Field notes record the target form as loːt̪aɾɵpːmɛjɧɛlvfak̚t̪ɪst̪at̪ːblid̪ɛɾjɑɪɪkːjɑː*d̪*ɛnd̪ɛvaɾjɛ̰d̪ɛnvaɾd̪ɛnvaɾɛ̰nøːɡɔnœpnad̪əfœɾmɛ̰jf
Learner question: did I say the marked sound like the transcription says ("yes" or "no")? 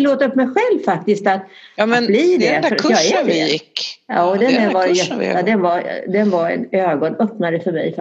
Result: yes